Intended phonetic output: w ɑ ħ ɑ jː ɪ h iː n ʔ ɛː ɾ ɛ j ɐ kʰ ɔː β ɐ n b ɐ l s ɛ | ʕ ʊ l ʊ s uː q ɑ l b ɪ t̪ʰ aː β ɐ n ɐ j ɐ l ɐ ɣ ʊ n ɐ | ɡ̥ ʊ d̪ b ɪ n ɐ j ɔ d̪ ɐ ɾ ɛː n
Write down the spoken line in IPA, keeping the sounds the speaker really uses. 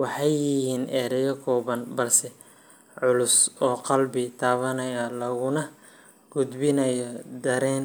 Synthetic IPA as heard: w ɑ ħ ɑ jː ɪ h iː n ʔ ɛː ɾ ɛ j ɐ kʰ ɔː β ɐ n b ɐ l s ɛ | ʕ ʊ l ʊ s ɔː q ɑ l b ɪ t̪ʰ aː β ɐ n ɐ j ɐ l ɐ ɣ ʊ n ɐ | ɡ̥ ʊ d̪ b ɪ n ɐ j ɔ d̪ ɐ ɾ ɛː n